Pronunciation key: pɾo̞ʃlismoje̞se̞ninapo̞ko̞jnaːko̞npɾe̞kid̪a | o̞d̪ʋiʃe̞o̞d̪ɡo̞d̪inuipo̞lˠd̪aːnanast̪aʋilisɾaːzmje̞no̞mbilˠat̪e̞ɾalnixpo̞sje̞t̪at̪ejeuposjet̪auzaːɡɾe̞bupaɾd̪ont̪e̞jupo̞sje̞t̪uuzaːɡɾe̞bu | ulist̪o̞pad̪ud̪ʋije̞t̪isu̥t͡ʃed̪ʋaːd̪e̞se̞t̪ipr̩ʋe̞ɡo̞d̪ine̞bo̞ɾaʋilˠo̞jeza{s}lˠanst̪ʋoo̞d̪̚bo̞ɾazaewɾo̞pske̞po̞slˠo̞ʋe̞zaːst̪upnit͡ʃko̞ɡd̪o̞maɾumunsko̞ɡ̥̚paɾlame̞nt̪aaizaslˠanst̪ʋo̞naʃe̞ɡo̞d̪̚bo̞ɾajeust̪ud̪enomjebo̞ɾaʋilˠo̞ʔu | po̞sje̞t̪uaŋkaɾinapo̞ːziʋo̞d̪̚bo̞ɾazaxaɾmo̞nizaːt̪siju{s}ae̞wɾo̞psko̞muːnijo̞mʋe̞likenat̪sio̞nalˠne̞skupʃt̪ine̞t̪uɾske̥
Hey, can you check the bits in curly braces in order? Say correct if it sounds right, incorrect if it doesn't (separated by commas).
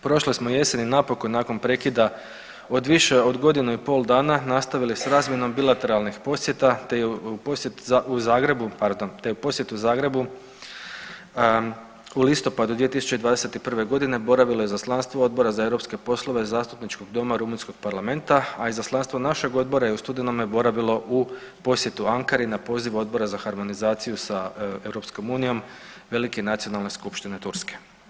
correct, correct